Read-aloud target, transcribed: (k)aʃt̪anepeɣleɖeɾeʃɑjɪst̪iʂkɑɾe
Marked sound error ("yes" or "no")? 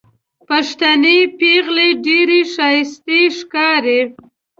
yes